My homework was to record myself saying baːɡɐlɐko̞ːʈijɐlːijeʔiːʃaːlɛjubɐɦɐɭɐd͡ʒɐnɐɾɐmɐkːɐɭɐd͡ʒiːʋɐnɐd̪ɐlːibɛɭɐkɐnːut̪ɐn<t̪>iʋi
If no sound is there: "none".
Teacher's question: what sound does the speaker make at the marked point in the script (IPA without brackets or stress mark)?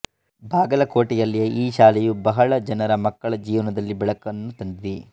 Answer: d̪